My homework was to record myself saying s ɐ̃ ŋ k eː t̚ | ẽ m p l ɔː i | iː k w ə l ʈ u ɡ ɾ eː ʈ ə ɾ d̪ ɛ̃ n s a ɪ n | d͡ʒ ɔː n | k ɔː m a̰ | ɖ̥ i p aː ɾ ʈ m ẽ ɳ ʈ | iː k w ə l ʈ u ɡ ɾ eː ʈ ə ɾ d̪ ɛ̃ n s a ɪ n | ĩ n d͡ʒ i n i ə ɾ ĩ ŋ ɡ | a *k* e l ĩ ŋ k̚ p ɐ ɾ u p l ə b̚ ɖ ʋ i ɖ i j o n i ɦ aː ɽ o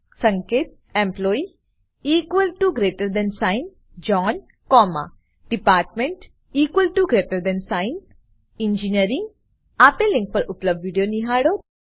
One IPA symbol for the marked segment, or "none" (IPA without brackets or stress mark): p